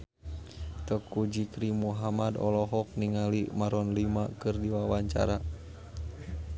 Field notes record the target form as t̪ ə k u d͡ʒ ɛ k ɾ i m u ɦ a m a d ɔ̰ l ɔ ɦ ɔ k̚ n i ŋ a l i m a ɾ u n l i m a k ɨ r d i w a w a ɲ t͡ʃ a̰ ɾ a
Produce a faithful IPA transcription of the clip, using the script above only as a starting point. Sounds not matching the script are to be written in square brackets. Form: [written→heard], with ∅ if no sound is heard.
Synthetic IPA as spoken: t̪ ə k u d͡ʒ [ɛ→i] k ɾ i m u ɦ a m a d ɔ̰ l ɔ ɦ ɔ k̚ n i ŋ a l i m a ɾ [u→ɔ] n l i m a k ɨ r d i w a w a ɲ t͡ʃ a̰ ɾ a